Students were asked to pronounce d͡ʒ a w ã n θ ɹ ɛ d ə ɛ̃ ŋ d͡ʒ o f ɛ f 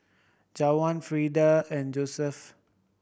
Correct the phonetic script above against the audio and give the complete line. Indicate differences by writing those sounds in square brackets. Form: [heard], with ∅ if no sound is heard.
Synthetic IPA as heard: d͡ʒ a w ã n [f] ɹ [i] d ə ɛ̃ [n] d͡ʒ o [s] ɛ f

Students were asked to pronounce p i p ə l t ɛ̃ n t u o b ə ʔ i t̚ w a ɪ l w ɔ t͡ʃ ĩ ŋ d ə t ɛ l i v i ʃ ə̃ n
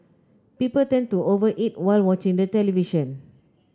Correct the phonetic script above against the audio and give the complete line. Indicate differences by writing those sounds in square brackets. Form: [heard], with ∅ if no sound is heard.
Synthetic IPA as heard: p i p ə l t ɛ̃ n t u o [v] ə ʔ i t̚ w a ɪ l w ɔ t͡ʃ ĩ ŋ d ə t ɛ l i v i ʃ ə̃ n

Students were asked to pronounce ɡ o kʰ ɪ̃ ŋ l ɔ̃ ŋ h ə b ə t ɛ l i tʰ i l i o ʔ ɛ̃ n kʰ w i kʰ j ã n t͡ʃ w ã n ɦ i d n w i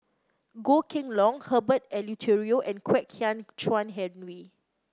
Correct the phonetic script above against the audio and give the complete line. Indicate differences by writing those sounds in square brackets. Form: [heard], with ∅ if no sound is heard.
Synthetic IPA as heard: ɡ o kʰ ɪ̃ ŋ l ɔ̃ ŋ h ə b ə t ɛ l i tʰ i [ɹ] i o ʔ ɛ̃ n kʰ w [ɛ] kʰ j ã n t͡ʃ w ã n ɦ [ɛ] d n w i

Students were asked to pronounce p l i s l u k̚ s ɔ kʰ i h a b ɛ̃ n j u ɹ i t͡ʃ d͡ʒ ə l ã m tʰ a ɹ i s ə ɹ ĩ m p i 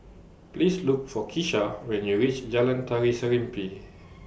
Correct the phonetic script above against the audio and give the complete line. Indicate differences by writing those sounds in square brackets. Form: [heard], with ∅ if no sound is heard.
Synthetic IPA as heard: p l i s l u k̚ [f] ɔ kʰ i [ʃ] a [w] ɛ̃ n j u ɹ i t͡ʃ d͡ʒ [a] l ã [n] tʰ a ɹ i s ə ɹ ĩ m p i

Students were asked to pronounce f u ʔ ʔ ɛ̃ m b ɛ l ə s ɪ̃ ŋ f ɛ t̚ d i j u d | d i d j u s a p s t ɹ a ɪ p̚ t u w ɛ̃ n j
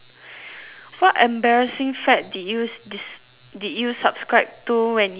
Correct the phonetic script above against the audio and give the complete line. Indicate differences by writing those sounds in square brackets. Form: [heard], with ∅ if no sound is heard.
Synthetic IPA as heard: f [ɔ] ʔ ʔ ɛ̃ m b ɛ [ɹ] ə s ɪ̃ ŋ f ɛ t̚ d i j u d | d i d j u s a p s [k] ɹ a ɪ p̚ t u w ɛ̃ n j

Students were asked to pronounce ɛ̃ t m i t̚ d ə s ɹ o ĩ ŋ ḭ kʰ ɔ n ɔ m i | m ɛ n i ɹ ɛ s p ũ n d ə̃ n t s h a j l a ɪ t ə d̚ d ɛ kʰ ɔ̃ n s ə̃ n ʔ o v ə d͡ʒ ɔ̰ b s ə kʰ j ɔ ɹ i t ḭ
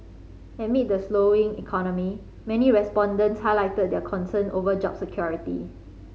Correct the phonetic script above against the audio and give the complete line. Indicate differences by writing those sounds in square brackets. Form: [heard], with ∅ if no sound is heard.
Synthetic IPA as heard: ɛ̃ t m i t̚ d ə s [l] o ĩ ŋ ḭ kʰ ɔ n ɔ m i | m ɛ n i ɹ ɛ s p [ɔ̃] n d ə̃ n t s h a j l a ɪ t ə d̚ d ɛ kʰ ɔ̃ n s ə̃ n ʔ o v ə d͡ʒ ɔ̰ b s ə kʰ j ɔ ɹ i t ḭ

